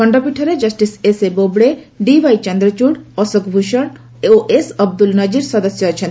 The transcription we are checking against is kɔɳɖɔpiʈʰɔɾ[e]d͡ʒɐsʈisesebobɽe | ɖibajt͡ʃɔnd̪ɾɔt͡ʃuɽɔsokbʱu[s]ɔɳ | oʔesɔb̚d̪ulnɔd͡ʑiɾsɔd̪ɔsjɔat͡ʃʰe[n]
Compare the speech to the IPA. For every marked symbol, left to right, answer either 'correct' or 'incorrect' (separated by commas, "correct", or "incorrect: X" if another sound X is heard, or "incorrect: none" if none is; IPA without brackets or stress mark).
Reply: correct, incorrect: ʃ, correct